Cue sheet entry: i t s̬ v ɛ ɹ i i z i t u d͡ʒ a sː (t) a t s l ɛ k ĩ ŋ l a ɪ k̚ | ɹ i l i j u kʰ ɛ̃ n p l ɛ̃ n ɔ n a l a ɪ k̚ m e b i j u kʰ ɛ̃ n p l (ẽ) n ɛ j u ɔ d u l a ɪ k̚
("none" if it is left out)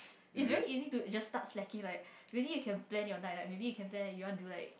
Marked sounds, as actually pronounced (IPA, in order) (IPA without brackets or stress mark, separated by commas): t, ɛ̃